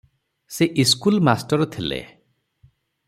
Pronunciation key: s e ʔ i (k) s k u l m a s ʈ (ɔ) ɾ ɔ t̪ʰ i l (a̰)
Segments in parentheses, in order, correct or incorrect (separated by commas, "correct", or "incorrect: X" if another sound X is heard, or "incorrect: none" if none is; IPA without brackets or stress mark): incorrect: none, correct, incorrect: ḛ